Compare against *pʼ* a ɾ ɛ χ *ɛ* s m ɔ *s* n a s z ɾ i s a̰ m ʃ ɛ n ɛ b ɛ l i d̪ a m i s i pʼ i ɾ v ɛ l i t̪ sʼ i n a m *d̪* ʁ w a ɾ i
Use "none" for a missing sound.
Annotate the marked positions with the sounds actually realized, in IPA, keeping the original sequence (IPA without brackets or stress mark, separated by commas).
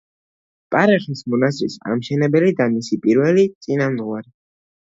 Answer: pʼ, i, none, d̪